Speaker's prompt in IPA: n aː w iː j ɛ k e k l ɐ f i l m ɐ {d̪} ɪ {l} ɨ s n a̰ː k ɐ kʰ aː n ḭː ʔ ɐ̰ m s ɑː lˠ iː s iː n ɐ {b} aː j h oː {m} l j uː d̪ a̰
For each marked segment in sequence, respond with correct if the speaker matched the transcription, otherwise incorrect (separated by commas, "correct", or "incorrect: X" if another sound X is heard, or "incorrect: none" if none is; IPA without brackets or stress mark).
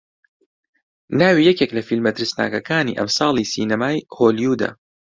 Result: incorrect: t̪, incorrect: ɾ, incorrect: m, incorrect: none